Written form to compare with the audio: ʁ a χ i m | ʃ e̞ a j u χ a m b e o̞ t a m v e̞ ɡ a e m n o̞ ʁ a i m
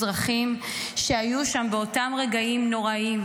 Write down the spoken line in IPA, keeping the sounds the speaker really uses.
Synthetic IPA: ʁ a χ i m | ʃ e̞ a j u ʃ a m b e o̞ t a m ʁ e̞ ɡ a i m n o̞ ʁ a i m